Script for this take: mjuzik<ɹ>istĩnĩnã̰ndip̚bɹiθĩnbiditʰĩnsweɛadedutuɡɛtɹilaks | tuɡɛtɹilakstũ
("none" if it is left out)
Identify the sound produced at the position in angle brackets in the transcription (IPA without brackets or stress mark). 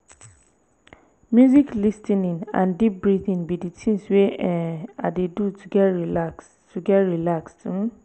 l